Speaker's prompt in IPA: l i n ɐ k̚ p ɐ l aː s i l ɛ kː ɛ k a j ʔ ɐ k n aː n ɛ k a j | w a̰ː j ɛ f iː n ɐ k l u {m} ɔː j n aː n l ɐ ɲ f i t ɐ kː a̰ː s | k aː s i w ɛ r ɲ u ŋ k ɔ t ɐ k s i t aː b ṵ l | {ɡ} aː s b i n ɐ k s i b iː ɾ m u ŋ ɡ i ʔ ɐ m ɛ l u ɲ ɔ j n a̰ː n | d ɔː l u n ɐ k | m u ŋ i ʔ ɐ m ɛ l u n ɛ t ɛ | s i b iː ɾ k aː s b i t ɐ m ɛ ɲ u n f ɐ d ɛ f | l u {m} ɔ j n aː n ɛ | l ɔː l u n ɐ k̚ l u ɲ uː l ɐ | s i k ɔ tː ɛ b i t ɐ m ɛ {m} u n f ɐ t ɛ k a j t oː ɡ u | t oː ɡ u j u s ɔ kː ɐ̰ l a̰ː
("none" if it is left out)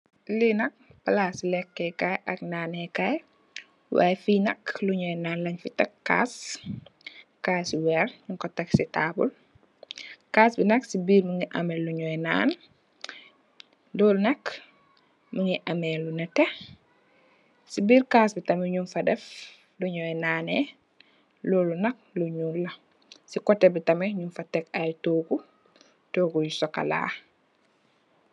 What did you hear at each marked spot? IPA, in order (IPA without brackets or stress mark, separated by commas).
ɲ, k, ɲ, ɲ